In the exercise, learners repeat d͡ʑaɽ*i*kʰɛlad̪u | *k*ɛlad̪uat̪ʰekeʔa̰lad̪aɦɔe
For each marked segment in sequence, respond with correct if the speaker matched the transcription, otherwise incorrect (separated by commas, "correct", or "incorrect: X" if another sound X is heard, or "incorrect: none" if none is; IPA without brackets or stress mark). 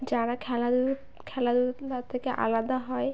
incorrect: a, incorrect: kʰ